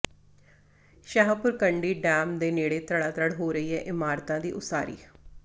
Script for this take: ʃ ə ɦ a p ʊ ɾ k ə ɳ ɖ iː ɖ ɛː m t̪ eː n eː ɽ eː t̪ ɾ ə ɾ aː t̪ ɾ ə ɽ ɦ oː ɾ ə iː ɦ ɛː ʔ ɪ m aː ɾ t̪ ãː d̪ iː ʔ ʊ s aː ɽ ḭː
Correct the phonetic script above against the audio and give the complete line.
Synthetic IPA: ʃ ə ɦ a p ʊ ɾ k ə ɳ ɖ iː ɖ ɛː m d̪ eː n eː ɽ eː t̪ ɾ ə ɽ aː t̪ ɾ ə ɽ ɦ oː ɾ ə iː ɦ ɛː ʔ ɪ m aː ɾ t̪ ãː d̪ iː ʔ ʊ s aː ɾ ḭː